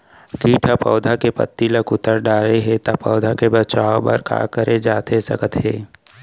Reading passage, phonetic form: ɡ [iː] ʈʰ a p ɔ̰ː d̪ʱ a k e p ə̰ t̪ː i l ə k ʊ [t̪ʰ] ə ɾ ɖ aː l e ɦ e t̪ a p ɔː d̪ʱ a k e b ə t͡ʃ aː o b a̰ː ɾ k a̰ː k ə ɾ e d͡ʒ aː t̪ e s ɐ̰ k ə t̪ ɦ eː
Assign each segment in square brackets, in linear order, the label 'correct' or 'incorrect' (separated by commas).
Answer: correct, incorrect